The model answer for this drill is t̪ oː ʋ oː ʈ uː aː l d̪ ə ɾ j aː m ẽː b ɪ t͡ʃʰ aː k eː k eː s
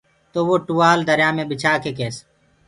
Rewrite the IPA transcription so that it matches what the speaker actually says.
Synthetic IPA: t̪ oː ʋ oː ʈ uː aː l d̪ ə ɾ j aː m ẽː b ɪ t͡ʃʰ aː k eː k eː s

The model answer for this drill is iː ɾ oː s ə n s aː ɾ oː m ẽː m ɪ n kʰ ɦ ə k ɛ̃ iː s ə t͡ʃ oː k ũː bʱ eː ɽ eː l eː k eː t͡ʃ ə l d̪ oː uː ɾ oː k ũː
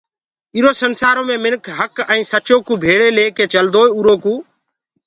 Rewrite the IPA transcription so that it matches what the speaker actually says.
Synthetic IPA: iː ɾ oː s ə n s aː ɾ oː m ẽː m ɪ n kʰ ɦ ə k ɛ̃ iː s ə t͡ʃ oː k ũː bʱ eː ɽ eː l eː k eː t͡ʃ ə l d̪ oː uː ɾ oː k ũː

